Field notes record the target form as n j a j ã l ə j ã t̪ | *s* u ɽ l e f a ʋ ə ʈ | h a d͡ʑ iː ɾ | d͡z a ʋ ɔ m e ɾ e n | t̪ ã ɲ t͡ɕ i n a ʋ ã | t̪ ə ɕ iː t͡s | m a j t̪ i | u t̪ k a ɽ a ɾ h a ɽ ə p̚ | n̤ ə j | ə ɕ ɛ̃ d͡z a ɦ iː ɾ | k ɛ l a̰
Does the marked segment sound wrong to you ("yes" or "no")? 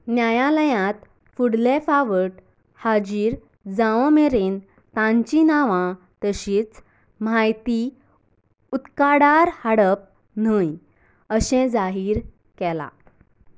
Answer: yes